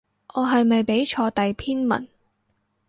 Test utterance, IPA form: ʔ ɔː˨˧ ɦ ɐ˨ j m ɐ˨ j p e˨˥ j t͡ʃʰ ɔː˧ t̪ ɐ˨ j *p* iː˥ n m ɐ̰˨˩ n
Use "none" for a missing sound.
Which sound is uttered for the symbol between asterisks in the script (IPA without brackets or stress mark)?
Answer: pʰ